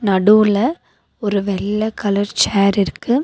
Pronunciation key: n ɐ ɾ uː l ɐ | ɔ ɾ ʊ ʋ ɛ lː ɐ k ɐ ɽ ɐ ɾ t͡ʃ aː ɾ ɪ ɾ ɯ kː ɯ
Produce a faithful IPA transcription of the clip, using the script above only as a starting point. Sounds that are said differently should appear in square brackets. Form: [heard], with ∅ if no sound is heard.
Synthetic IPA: n ɐ [ɽ] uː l ɐ | ɔ ɾ [ɯ] ʋ ɛ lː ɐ k ɐ [l] ɐ ɾ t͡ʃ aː ɾ ɪ ɾ ɯ kː ɯ